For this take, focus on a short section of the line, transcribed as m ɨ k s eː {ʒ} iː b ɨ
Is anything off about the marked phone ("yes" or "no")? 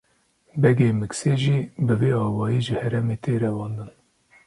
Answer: no